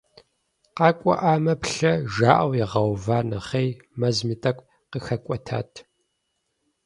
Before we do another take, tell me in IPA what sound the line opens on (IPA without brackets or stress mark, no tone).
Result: q